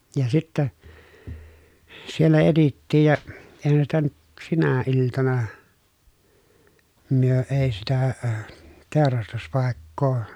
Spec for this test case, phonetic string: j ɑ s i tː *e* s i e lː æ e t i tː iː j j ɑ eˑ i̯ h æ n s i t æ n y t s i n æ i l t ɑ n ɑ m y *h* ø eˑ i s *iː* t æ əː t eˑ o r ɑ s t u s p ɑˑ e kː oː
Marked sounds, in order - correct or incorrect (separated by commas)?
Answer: incorrect, incorrect, incorrect